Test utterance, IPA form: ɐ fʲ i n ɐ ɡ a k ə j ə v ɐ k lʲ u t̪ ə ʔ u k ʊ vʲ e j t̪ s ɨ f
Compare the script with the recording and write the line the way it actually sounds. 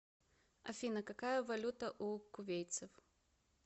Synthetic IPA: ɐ fʲ i n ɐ k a k a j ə v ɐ lʲ u t̪ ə ʔ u k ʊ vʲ e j t̪ s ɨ f